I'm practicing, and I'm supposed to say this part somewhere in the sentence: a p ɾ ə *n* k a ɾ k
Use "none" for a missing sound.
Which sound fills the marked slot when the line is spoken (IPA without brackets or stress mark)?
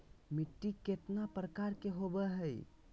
none